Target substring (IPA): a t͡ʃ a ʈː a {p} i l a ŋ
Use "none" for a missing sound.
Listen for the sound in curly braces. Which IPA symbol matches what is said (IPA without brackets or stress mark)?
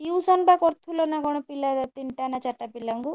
p